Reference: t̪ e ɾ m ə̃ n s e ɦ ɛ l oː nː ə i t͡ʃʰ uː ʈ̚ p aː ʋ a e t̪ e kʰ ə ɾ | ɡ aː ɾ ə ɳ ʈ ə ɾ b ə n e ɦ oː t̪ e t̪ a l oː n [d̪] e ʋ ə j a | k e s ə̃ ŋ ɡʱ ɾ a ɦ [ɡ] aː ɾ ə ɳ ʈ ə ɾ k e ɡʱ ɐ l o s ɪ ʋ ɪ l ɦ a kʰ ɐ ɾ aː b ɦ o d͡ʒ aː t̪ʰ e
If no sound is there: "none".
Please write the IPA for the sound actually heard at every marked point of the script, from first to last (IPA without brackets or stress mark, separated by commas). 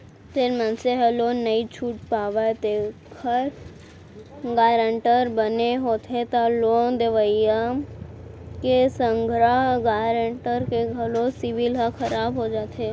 d̪, ɡ